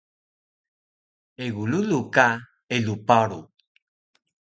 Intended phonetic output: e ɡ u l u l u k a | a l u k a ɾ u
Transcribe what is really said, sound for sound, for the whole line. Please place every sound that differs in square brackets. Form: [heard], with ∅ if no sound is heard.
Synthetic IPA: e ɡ u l u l u k a | [e] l u [p] a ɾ u

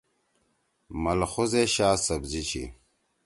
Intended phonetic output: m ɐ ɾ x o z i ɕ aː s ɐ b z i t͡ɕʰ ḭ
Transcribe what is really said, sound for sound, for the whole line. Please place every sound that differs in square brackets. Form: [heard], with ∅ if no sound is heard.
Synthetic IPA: m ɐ [l] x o z [e] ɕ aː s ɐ b z i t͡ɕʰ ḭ

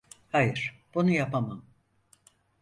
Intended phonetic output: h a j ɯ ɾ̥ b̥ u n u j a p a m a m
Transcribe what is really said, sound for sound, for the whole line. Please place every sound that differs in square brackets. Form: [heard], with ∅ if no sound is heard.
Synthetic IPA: h a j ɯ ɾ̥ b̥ u n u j a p a m a m

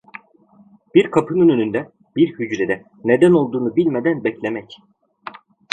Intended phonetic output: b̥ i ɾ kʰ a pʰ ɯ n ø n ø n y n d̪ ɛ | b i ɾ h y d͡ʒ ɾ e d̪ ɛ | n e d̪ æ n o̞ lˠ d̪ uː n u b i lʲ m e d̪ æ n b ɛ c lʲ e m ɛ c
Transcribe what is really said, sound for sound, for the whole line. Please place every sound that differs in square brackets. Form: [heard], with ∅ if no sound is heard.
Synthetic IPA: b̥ i ɾ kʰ a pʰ ɯ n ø n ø n y n d̪ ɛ | b i ɾ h y d͡ʒ ɾ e d̪ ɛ | n e d̪ æ n o̞ lˠ d̪ uː n u b i lʲ m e d̪ æ n b ɛ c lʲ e m ɛ c

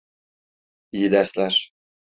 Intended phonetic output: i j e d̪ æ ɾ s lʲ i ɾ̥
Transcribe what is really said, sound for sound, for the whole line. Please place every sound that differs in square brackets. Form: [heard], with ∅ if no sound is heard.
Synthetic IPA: i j [i] d̪ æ ɾ s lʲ [æ] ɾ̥

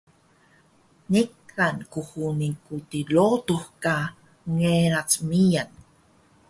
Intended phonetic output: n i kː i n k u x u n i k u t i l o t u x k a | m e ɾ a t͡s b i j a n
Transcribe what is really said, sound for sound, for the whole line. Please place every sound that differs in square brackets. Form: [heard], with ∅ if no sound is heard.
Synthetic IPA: n i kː [a] n k u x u n i k u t i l o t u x k a | [ŋ] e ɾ a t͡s [m] i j a n

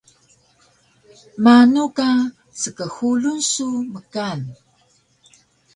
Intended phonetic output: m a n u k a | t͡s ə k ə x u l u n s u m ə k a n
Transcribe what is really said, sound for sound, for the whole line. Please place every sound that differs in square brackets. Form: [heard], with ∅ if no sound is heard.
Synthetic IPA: m a n u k a | t͡s ə k ə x u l u n s u m ə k a n

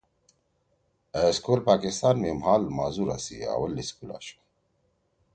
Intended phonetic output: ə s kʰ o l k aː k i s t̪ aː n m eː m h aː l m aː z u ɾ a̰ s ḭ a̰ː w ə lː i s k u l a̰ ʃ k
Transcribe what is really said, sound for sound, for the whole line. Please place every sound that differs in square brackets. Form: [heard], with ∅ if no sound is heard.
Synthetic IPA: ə s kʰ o l [p] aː k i s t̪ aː n m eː m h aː l m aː z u ɾ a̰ s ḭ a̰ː w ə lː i s k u l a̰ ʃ k

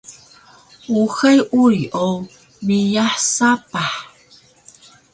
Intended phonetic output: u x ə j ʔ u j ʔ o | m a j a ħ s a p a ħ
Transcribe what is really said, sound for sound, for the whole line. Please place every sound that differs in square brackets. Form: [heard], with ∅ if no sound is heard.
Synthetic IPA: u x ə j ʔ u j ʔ o | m [i] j a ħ s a p a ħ

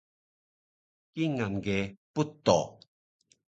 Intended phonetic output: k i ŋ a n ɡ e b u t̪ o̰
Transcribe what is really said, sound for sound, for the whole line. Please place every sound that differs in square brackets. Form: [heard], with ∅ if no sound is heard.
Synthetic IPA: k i ŋ a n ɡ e [p] u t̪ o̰

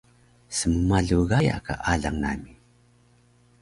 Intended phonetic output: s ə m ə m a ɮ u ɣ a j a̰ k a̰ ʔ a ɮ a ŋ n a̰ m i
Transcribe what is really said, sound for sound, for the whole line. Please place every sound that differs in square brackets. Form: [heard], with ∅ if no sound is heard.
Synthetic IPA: s ə m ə m a ɮ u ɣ a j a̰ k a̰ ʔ a ɮ a ŋ n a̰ m i

